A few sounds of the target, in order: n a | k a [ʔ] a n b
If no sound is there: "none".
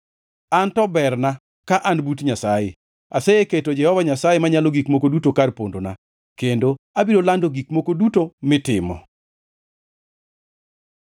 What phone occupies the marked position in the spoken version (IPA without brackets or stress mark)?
ʔ